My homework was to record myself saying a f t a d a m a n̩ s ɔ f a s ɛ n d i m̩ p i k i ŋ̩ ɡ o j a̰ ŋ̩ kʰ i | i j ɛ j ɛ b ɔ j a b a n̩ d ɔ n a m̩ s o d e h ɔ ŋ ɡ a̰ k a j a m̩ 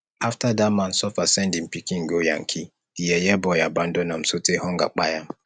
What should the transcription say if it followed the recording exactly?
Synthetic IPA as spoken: a f t a d a m a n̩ s ɔ f a s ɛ n d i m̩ p i k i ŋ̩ ɡ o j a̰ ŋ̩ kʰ i | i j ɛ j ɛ b ɔ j a b a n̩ d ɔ n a m̩ s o t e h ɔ ŋ ɡ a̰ k͡p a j a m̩